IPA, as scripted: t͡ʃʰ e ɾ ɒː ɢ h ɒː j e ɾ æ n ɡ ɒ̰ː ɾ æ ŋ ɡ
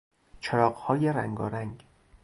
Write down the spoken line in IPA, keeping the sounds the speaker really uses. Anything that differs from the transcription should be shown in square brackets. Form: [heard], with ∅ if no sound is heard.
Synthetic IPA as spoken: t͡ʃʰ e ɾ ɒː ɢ h ɒː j e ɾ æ [ŋ] ɡ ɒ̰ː ɾ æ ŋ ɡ